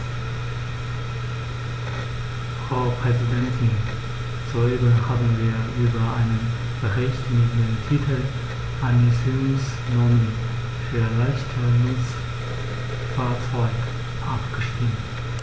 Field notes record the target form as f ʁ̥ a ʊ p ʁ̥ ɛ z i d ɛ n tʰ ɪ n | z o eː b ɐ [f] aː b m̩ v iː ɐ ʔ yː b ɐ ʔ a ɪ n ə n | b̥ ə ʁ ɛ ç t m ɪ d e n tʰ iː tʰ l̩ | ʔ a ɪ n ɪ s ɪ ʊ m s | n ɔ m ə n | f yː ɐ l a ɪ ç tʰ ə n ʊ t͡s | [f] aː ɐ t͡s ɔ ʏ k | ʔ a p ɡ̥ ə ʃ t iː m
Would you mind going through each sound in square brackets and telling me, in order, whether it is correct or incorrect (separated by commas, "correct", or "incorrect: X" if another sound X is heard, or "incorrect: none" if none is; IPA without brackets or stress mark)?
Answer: incorrect: h, correct